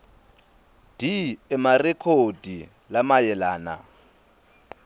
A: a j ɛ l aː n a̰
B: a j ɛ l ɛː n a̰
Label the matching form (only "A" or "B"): A